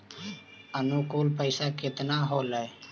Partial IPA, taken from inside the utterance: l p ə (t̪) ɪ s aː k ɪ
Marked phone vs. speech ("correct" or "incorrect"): incorrect